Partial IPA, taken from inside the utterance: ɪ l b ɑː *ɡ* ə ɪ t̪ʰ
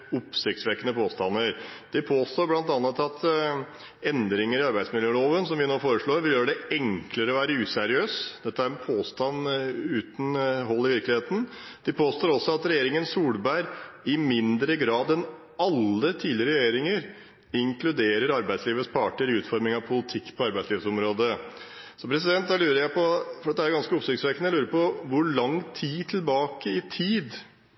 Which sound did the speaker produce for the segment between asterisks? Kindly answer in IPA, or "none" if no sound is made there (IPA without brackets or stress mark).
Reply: k